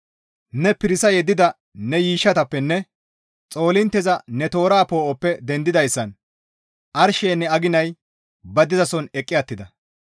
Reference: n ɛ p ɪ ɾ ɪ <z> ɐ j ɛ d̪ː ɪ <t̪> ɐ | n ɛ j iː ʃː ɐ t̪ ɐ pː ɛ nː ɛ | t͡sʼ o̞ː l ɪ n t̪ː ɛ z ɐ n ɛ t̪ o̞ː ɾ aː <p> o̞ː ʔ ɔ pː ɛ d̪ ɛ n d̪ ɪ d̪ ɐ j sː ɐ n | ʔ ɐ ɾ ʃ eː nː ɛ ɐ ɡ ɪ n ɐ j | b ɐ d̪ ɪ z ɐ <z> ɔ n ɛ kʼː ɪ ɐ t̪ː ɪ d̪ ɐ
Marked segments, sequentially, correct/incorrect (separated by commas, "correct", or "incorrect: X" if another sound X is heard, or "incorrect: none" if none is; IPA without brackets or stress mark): incorrect: s, incorrect: d̪, correct, incorrect: s